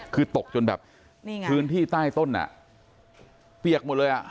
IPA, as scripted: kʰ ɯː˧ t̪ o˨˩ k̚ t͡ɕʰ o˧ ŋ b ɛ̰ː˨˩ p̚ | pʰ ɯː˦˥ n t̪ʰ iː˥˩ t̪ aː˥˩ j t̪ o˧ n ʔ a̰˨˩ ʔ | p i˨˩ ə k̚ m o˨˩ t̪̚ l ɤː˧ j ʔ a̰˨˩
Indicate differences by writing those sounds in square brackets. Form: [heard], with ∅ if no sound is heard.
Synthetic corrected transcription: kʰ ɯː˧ t̪ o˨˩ k̚ [t͡ɕ] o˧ [n] b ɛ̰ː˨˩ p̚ | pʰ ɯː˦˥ n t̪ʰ iː˥˩ t̪ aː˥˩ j t̪ [o˥˩] n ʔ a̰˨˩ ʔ | p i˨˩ ə k̚ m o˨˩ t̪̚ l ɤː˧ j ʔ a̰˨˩